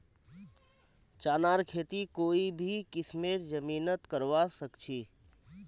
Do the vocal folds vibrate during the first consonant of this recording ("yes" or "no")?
no